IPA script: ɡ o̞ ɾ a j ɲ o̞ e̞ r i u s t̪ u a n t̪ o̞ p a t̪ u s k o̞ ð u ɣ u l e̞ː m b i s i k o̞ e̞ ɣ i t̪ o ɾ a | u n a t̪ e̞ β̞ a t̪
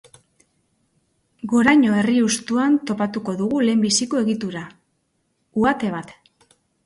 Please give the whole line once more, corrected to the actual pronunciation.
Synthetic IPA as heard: ɡ o̞ ɾ a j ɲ o̞ e̞ r i u s t̪ u a n t̪ o̞ p a t̪ u k o̞ ð u ɣ u l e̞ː m b i s i k o̞ e̞ ɣ i t̪ u ɾ a | u a t̪ e̞ β̞ a t̪